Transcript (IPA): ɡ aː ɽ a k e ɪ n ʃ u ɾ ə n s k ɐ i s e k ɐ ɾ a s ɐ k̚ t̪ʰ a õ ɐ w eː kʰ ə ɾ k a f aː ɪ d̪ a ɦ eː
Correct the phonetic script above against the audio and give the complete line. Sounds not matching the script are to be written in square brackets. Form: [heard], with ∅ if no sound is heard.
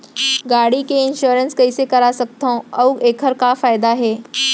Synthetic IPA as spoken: ɡ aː ɽ [i] k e ɪ n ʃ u ɾ ə n s k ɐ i s e k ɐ ɾ a s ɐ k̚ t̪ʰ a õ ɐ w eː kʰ ə ɾ k a f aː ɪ d̪ a ɦ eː